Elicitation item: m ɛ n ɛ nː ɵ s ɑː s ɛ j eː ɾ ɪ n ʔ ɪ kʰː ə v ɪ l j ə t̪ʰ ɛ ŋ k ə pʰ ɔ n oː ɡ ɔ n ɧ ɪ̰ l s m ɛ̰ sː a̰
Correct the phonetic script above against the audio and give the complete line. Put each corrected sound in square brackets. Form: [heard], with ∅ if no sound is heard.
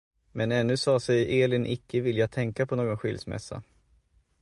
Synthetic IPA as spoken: m ɛ n ɛ nː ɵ s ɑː s ɛ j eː [l] ɪ n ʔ ɪ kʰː ə v ɪ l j [a] t̪ʰ ɛ ŋ k [a] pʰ ɔ n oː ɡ ɔ n ɧ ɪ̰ l s m ɛ̰ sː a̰